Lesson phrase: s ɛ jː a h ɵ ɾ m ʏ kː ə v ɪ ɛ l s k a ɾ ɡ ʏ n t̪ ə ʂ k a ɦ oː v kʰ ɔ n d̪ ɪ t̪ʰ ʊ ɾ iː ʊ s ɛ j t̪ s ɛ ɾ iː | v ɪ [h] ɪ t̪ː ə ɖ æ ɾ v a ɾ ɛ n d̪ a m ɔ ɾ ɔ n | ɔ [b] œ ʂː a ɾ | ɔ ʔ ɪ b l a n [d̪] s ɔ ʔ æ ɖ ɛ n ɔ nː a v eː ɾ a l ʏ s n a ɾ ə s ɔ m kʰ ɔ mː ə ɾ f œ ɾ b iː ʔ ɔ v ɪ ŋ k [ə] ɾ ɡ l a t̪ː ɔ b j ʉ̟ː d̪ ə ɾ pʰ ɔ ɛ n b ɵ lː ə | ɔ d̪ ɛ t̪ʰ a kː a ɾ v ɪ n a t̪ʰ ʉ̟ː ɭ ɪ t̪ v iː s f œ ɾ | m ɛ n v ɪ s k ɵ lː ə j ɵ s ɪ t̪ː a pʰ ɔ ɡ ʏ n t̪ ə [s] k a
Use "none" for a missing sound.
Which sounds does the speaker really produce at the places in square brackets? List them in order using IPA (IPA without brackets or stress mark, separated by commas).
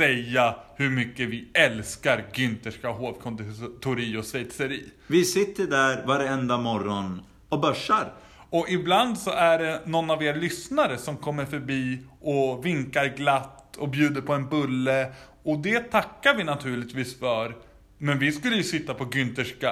s, b, d̪, a, ʂ